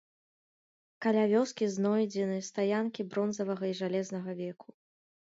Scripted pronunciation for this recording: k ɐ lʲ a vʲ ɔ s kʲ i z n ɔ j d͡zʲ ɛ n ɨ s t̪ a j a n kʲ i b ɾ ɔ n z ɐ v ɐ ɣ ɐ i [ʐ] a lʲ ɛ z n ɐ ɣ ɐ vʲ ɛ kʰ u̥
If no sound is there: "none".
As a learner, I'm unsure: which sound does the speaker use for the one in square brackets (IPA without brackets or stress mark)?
ʐ